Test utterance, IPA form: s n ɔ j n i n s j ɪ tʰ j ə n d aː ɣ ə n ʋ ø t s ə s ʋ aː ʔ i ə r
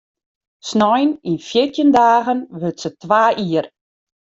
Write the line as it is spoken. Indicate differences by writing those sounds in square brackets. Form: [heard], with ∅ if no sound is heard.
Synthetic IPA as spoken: s n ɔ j n i n [f] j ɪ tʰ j ə n d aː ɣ ə n ʋ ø t s ə [t] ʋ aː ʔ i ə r